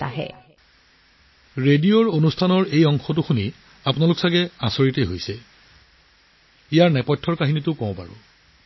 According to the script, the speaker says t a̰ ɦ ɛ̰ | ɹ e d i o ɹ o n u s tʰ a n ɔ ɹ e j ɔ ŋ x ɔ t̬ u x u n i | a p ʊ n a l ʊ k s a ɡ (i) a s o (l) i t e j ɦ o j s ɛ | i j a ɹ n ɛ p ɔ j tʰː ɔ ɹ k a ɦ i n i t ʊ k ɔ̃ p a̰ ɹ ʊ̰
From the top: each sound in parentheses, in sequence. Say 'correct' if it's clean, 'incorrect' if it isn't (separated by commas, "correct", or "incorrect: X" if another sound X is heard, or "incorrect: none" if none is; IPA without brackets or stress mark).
incorrect: ɛ, incorrect: ɹ